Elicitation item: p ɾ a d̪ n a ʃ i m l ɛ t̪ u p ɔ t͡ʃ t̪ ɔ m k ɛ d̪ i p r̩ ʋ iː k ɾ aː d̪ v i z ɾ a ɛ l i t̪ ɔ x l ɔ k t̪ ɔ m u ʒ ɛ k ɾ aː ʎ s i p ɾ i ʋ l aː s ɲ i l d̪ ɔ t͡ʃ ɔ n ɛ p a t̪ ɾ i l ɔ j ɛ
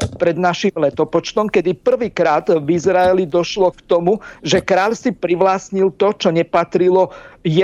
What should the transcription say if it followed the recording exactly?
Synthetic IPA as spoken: p ɾ ɛ d̪ n a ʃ i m l ɛ t̪ ɔ p ɔ t͡ʃ t̪ ɔ m k ɛ d̪ i p r̩ ʋ iː k ɾ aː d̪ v i z ɾ a ɛ l i d̪ ɔ ʃ l ɔ k t̪ ɔ m u ʒ ɛ k ɾ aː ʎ s i p ɾ i ʋ l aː s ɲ i l t̪ ɔ t͡ʃ ɔ ɲ ɛ p a t̪ ɾ i l ɔ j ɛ